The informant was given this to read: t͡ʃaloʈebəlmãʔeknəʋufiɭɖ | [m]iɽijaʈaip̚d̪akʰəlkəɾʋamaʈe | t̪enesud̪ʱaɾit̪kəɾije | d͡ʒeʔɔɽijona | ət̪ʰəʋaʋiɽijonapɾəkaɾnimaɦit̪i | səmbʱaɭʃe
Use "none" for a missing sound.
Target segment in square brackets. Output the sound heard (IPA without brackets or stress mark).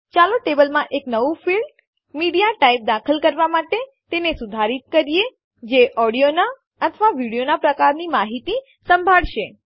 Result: m